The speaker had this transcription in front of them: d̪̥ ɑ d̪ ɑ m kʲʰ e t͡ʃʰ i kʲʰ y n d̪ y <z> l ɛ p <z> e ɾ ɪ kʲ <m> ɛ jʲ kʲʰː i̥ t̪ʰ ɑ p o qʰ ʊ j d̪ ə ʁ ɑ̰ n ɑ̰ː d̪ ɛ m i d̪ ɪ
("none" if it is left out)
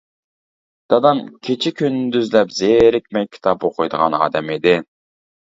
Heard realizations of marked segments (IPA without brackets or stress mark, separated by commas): z, z, m